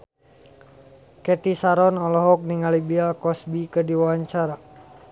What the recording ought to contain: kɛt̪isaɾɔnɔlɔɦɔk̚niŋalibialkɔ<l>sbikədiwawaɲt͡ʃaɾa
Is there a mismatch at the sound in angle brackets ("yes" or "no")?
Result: yes